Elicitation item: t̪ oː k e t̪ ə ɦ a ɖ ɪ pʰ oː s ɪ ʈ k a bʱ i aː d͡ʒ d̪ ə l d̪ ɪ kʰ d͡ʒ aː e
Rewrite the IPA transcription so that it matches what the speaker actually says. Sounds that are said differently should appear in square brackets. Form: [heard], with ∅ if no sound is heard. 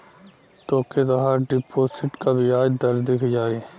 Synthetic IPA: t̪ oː k e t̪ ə ɦ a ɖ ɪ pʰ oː s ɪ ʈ k a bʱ i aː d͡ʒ d̪ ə [ɾ] d̪ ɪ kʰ d͡ʒ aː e